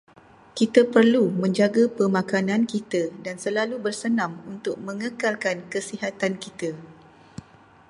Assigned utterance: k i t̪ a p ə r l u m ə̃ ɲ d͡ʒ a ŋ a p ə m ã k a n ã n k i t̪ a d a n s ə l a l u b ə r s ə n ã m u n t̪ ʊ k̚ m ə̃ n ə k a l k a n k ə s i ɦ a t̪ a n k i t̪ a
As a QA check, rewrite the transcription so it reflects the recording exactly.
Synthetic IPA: k i t̪ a p ə r l u m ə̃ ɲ d͡ʒ a ɡ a p ə m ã k a n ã n k i t̪ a d a n s ə l a l u b ə r s ə n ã m u n t̪ ʊ k̚ m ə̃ ŋ ə k a l k a n k ə s i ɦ a t̪ a n k i t̪ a

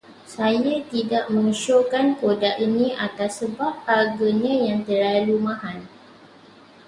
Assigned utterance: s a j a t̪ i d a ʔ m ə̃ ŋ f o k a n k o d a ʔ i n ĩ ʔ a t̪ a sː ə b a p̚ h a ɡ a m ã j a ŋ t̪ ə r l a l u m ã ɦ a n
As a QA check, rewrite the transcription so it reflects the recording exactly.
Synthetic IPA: s a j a t̪ i d a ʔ m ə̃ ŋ ʃ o k a n k o d a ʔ i n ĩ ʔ a t̪ a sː ə b a p̚ h a ɡ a ɲ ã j a ŋ t̪ ə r l a l u m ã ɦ a n

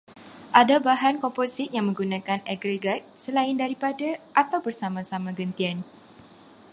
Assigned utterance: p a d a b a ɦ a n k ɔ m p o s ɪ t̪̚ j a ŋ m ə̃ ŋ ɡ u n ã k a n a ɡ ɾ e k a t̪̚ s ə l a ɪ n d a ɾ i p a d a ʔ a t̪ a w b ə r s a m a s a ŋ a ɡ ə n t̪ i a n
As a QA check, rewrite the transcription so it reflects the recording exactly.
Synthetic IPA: ʔ a d a b a ɦ a n k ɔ m p o s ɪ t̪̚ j a ŋ m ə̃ ŋ ɡ u n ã k a n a ɡ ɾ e ɡ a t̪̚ s ə l a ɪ n d a ɾ i p a d a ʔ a t̪ a w b ə r s a m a s a m a ɡ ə n t̪ i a n

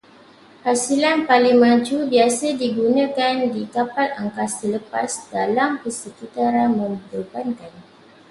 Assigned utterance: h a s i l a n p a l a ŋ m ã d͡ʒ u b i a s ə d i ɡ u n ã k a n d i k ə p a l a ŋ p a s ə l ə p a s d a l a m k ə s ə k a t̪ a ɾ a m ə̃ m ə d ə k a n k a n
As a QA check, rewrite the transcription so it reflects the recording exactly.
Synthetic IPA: h a s i l a n p a l i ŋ m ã d͡ʒ u b i a s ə d i ɡ u n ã k a n d i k a p a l a ŋ k a s ə l ə p a s d a l a m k ə s ə k i t̪ a ɾ a m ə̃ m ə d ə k a n k a n

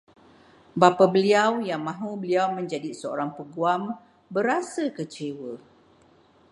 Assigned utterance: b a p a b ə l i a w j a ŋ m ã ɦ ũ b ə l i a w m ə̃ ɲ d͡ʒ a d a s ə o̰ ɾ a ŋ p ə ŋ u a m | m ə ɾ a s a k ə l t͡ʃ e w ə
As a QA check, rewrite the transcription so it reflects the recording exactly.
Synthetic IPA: b a p a b ə l i a w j a ŋ m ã ɦ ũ b ə l i a w m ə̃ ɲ d͡ʒ a d i s ə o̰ ɾ a ŋ p ə ɡ u a m | b ə ɾ a s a k ə t͡ʃ e w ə

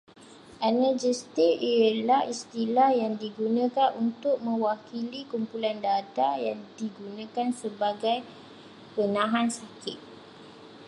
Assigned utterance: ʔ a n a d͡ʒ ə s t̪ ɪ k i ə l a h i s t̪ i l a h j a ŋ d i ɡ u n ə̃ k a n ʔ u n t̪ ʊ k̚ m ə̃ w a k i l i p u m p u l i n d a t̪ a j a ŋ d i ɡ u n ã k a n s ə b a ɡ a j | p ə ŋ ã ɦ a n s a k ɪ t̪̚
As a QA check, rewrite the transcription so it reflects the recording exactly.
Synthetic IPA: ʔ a n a d͡ʒ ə s t̪ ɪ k i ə l a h i s t̪ i l a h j a ŋ d i ɡ u n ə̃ k a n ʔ u n t̪ ʊ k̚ m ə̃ w a k i l i k u m p u l a n d a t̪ a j a ŋ d i ɡ u n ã k a n s ə b a ɡ a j | p ə n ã ɦ a n s a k ɪ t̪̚

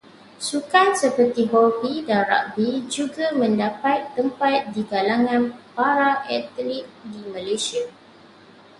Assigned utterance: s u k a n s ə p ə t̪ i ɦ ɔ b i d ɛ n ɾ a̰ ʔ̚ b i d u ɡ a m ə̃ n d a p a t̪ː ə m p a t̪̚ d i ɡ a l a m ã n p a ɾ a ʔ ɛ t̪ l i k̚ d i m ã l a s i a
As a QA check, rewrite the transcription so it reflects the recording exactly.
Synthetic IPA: s u k a n s ə p ə t̪ i ɦ ɔ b i d a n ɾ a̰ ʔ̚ b i d͡ʒ u ɡ a m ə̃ n d a p a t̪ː ə m p a t̪̚ d i ɡ a l a ŋ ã n p a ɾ a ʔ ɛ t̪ l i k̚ d i m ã l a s i a

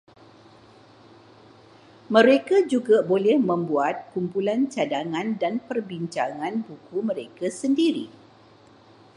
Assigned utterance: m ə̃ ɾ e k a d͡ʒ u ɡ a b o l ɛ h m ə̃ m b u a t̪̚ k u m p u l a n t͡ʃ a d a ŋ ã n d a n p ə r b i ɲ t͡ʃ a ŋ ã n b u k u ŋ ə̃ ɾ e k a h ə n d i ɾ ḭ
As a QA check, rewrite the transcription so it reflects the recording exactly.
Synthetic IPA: m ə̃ ɾ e k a d͡ʒ u ɡ a b o l ɛ h m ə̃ m b u a t̪̚ k u m p u l a n t͡ʃ a d a ŋ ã n d a n p ə r b i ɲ t͡ʃ a ŋ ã n b u k u m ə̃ ɾ e k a s ə n d i ɾ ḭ

